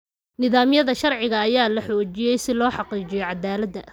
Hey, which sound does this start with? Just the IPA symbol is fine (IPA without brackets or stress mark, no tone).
n